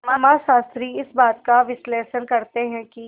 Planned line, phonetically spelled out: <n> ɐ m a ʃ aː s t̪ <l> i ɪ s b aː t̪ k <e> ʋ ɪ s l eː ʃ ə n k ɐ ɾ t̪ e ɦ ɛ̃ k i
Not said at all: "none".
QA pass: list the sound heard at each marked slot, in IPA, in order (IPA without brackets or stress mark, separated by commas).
m, ɾ, a